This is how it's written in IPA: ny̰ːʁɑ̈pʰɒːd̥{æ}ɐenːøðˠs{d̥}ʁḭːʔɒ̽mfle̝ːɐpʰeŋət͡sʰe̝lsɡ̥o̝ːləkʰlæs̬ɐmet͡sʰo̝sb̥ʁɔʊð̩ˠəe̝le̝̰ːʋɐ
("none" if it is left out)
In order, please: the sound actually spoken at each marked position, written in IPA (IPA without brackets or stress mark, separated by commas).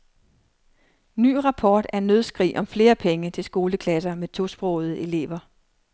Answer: æ, ɡ̥